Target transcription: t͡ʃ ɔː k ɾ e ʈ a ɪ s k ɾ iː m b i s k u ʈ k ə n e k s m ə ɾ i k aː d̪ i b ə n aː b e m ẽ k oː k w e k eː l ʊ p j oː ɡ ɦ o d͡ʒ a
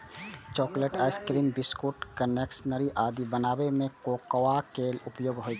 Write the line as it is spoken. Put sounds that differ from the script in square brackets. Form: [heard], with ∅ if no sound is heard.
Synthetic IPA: t͡ʃ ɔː k [l] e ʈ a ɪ s k ɾ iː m b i s k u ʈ k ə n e k s [n] ə ɾ i [ʔ] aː d̪ i b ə n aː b e m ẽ k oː k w [a] k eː l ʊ p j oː ɡ ɦ o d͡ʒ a